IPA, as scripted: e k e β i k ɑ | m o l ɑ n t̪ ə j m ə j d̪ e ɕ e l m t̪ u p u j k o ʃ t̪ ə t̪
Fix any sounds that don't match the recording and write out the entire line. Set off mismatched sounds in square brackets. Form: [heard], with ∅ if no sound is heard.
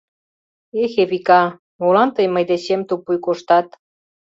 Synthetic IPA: e [x] e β i k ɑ | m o l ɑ n t̪ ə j m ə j d̪ e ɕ e [∅] m t̪ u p u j k o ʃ t̪ [ɑ] t̪